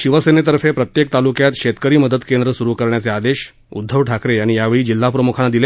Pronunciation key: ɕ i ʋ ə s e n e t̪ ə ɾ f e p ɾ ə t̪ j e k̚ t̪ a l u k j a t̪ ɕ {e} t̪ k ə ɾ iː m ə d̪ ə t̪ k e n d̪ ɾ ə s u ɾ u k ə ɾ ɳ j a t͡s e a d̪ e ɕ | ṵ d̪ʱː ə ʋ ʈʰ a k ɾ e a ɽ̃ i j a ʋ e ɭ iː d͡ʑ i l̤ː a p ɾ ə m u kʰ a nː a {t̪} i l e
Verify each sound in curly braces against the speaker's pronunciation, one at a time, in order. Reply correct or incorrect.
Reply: correct, incorrect

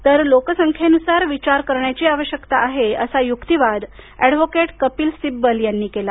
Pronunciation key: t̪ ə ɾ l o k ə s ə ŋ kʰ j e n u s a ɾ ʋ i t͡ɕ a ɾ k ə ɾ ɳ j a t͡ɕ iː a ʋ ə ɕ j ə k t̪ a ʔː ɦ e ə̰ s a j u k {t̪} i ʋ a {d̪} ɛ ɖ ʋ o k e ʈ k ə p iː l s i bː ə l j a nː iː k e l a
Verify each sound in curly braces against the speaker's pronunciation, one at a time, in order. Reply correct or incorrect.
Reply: correct, correct

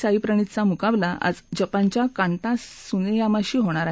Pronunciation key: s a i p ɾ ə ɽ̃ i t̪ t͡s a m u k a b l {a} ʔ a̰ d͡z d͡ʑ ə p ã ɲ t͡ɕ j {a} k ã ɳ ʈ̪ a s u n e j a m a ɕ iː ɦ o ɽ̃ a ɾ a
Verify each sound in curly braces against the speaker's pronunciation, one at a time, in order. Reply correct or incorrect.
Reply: correct, correct

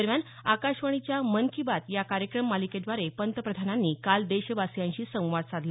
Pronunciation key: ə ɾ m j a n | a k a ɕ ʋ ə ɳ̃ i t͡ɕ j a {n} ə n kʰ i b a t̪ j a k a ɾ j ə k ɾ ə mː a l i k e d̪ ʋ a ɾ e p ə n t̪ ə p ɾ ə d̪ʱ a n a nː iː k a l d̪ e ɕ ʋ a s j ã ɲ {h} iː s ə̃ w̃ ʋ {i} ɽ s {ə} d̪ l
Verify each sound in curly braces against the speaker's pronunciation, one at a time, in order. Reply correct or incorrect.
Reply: incorrect, incorrect, incorrect, incorrect

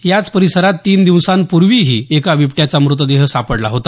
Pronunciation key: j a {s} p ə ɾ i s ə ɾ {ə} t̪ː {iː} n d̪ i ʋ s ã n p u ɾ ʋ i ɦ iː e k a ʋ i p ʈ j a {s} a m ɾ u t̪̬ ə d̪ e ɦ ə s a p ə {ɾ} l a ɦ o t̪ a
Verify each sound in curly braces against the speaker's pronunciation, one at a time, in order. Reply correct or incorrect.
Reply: incorrect, incorrect, correct, incorrect, incorrect

